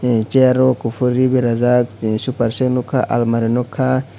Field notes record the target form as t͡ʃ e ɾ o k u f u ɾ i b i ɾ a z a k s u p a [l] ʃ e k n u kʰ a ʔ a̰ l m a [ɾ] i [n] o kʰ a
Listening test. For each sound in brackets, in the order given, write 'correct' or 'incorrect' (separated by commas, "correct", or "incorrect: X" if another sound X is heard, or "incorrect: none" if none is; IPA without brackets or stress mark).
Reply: incorrect: ɾ, correct, correct